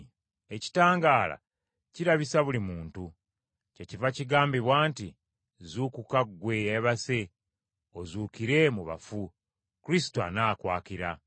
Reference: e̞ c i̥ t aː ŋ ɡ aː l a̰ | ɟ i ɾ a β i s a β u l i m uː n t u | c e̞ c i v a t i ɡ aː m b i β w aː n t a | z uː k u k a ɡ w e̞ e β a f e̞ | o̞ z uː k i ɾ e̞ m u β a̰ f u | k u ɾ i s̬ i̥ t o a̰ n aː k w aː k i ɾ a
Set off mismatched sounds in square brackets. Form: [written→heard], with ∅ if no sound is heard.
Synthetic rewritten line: e̞ c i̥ t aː ŋ ɡ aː l a̰ | [ɟ→c] i ɾ a β i s a β u l i m uː n t u | c e̞ c i v a [t→c] i ɡ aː m b i β w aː n t [a→i] | z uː k u k a ɡ w e̞ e β a [f→s] e̞ | o̞ z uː k i ɾ e̞ m u β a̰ f u | k u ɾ i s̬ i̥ t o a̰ n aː k w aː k i ɾ a